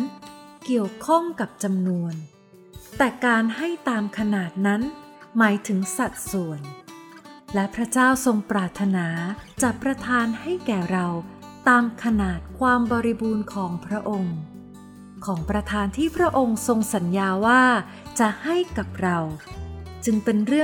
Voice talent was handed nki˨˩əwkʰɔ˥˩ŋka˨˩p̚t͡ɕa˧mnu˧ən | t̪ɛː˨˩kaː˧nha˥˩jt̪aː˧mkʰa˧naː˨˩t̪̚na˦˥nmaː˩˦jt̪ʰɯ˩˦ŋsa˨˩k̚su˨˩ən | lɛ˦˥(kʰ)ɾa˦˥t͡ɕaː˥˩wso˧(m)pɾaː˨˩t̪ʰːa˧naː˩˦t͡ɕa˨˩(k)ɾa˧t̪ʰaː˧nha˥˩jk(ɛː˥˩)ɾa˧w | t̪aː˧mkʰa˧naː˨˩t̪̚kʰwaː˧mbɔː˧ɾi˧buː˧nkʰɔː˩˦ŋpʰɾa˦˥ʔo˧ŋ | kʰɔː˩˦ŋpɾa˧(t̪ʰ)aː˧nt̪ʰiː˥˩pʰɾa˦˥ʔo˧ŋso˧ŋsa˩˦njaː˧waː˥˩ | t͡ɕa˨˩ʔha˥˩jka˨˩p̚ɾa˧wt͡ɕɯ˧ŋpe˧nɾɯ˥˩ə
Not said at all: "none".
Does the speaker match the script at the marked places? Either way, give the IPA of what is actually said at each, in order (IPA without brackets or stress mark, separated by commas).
pʰ, ŋ, p, ɛː˨˩, t̪ʰ